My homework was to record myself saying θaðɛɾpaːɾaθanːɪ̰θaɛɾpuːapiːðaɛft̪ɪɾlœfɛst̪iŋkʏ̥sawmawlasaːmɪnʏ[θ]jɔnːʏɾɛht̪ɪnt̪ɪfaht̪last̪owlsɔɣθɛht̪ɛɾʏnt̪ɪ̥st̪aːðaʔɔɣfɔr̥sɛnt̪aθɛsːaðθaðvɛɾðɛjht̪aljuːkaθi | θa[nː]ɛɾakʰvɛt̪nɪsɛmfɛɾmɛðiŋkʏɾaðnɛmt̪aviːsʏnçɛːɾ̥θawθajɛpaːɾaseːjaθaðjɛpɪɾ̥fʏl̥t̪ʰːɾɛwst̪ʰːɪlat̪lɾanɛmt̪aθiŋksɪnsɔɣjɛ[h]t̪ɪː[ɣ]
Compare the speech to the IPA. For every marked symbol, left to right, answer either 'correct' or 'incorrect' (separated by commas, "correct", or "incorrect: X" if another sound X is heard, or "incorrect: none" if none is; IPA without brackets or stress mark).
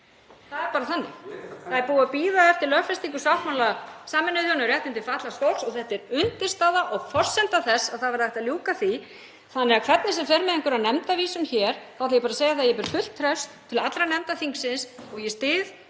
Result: incorrect: ð, correct, incorrect: s, incorrect: ð